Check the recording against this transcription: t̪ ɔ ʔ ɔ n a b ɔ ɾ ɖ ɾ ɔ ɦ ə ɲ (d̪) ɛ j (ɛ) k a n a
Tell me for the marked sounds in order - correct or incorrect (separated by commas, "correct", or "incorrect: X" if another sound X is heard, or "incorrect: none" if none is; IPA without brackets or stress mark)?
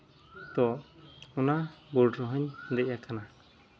correct, incorrect: a